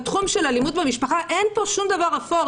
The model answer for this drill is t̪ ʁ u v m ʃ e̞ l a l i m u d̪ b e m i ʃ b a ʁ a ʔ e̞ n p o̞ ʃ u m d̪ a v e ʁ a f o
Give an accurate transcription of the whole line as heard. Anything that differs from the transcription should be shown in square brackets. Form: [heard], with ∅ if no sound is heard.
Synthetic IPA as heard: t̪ [χ] u [∅] m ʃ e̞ l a l i m u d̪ b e m i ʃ [p] a [χ] a ʔ e̞ n p o̞ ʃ u m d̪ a v [a] ʁ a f o